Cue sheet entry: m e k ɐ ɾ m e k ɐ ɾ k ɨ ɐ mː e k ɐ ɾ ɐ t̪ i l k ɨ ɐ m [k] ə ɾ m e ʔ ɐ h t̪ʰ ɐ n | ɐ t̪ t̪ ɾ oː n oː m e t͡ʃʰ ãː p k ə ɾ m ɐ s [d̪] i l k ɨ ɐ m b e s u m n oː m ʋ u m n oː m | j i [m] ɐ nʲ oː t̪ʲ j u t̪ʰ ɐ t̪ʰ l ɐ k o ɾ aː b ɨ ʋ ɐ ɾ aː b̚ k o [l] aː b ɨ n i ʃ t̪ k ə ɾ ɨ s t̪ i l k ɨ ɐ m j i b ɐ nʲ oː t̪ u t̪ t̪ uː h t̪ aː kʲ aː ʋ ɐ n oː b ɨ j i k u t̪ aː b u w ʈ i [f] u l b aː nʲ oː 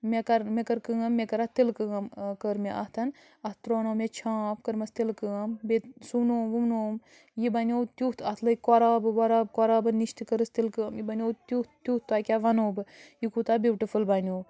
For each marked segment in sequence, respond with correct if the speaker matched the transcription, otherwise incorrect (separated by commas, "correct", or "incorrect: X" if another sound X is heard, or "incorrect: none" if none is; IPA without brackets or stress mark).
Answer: correct, incorrect: t̪, incorrect: b, incorrect: ɾ, correct